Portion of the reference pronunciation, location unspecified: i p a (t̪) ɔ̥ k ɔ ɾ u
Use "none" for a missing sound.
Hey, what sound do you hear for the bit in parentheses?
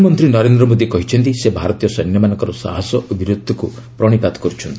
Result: t̪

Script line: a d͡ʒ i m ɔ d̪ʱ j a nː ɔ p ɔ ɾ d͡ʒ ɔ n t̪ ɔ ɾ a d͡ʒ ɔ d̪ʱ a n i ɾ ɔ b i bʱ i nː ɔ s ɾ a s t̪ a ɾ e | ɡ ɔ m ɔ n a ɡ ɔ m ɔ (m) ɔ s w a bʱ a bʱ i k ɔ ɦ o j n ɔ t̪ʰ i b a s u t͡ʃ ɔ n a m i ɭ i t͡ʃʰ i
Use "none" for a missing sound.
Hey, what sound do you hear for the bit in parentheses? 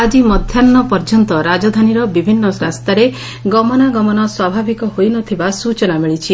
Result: n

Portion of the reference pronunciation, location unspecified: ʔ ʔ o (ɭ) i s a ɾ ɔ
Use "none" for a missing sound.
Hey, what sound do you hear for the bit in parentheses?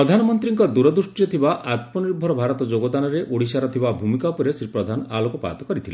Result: ɽ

